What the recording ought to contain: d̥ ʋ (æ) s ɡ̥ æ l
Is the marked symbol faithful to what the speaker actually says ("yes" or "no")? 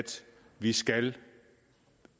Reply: no